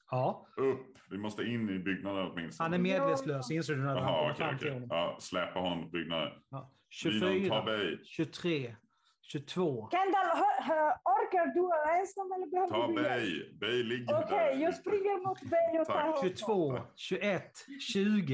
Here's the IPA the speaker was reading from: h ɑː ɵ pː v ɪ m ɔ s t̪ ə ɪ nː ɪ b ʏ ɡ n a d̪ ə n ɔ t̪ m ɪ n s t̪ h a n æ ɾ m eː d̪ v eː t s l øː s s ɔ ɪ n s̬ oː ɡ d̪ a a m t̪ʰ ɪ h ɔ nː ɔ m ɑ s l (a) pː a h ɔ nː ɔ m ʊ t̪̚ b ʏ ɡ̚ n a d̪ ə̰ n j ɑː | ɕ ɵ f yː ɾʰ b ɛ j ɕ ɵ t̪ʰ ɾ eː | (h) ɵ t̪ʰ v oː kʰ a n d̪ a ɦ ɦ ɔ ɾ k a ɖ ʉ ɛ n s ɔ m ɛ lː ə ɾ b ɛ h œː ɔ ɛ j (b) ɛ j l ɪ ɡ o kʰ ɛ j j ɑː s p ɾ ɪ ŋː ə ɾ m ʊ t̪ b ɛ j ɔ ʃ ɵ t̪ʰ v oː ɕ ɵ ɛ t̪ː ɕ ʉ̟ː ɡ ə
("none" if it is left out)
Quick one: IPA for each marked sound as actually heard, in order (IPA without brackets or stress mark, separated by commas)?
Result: ɛ, ɕ, b